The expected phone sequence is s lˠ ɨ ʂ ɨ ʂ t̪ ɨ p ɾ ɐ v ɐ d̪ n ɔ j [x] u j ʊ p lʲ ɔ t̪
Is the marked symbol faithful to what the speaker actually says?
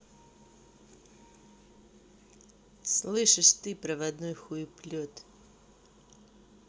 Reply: yes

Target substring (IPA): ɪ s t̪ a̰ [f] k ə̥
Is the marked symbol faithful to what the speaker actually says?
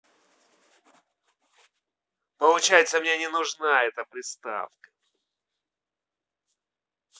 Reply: yes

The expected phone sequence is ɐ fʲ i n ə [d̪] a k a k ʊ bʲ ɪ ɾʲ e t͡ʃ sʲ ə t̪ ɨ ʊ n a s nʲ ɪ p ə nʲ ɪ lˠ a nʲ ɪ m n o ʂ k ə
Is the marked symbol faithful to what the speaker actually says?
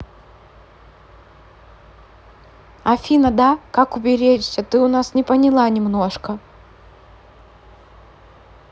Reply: yes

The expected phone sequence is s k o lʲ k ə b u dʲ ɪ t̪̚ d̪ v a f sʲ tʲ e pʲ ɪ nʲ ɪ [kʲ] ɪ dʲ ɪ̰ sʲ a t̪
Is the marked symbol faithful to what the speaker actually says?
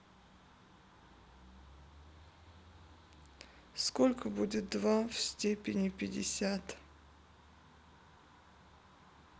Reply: no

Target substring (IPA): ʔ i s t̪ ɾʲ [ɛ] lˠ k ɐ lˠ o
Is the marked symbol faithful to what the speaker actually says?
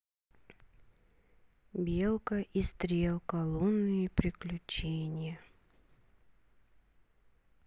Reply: no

